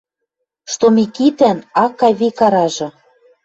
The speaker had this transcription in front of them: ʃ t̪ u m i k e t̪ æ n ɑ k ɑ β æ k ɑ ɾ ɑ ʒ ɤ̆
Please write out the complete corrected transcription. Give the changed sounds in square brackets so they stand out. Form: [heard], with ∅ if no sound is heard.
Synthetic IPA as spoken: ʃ t̪ [o] m i k [i] t̪ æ n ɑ k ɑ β [i] k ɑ ɾ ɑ ʒ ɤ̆